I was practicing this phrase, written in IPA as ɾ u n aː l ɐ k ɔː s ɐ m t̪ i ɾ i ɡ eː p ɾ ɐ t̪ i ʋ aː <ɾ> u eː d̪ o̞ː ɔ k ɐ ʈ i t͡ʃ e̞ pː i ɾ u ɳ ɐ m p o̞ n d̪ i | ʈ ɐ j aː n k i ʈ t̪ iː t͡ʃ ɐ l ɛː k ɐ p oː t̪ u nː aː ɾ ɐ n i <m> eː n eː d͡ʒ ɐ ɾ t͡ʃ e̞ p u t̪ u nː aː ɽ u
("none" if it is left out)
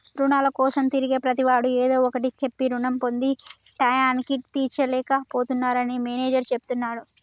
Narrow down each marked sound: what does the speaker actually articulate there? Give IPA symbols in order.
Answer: ɽ, m

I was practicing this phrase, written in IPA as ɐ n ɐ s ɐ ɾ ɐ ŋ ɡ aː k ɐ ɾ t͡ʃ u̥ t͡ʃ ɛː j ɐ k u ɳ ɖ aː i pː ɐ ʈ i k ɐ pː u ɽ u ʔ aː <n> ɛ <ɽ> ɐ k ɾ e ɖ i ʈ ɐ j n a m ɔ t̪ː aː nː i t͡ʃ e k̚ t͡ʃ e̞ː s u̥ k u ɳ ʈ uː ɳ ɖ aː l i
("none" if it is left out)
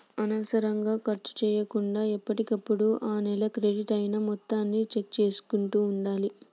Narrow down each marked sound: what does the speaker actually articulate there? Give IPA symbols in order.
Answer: n, l

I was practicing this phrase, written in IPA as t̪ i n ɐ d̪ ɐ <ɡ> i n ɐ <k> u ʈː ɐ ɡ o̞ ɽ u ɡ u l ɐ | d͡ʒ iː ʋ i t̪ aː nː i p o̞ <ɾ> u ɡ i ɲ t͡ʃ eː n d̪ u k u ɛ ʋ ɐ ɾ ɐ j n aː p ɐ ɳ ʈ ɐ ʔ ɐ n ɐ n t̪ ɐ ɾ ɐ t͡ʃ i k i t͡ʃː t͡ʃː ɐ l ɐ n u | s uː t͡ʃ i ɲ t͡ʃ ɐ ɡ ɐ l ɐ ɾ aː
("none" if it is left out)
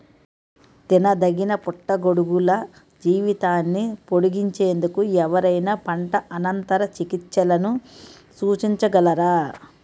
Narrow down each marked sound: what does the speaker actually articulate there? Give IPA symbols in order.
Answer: ɡ, p, ɽ

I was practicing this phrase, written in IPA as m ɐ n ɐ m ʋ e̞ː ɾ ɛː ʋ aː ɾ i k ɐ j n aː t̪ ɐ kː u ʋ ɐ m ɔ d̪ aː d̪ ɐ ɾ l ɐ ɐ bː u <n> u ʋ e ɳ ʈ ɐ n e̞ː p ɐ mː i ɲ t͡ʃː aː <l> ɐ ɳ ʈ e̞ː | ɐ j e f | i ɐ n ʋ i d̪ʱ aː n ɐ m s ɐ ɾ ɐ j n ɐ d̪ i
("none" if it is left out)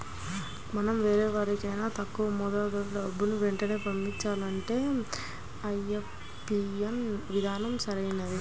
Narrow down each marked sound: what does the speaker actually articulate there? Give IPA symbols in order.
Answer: n, l

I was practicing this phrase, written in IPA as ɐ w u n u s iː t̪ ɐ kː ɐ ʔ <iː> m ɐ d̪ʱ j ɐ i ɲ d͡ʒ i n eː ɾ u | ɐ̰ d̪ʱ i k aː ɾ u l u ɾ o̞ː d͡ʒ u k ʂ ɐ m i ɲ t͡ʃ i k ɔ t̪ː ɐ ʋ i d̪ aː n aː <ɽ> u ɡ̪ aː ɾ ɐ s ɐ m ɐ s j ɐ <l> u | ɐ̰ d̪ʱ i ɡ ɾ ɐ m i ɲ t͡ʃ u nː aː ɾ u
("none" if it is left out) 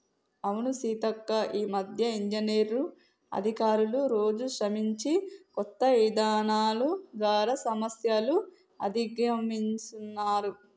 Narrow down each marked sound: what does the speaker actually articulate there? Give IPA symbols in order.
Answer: iː, l, l

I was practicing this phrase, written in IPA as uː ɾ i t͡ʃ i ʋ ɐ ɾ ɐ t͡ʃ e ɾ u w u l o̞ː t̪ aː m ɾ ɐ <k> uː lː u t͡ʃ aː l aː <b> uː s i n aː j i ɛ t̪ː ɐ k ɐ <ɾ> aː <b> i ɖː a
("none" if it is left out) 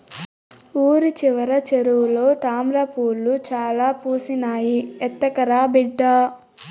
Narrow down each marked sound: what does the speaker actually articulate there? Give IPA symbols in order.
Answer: p, p, ɾ, b

